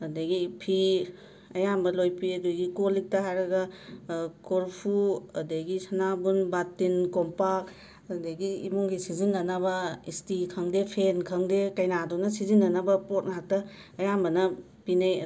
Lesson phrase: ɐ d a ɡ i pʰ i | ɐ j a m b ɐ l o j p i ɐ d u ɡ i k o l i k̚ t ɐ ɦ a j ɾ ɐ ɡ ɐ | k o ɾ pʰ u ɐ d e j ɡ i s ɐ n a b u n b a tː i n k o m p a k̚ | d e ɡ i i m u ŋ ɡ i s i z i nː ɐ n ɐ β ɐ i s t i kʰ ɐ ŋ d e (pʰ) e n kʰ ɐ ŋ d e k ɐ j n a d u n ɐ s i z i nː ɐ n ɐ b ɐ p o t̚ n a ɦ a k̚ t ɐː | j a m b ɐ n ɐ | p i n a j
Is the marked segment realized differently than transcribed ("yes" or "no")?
no